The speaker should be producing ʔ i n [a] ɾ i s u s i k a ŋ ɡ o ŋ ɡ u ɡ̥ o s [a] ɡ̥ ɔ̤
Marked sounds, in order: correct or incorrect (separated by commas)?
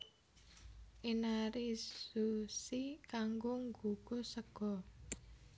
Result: correct, incorrect